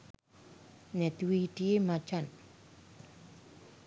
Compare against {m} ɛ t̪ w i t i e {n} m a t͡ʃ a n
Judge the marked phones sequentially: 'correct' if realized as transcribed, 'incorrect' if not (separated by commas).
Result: incorrect, incorrect